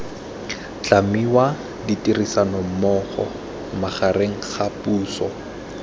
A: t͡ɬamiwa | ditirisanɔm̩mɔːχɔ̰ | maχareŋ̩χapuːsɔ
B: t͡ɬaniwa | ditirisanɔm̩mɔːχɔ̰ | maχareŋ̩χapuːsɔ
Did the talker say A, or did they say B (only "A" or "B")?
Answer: A